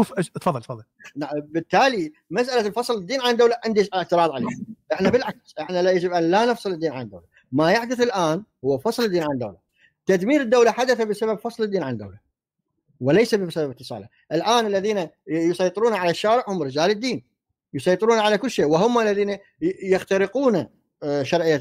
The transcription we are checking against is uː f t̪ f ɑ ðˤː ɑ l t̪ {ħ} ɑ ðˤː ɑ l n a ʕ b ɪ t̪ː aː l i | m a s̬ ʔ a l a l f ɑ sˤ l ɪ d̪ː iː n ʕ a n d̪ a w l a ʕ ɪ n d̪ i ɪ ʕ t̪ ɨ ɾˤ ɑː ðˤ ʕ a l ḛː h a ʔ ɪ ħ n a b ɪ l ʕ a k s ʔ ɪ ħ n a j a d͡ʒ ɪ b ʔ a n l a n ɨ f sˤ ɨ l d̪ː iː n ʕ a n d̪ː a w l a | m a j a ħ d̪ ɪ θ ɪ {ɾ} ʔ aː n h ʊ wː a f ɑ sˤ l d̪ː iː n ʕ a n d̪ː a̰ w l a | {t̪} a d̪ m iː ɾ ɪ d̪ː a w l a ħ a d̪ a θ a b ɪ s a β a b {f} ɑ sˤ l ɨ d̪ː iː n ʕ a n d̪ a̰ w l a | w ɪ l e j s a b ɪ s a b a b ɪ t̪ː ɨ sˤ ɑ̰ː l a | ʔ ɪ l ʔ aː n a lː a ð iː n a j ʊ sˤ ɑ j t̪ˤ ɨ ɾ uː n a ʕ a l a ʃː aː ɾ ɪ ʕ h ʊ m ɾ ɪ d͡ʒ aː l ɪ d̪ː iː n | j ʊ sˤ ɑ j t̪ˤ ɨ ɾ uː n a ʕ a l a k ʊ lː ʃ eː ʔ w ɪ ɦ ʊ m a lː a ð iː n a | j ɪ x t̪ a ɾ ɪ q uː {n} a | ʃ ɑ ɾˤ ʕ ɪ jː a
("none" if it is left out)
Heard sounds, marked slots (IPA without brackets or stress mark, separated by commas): f, l, t̪, f, n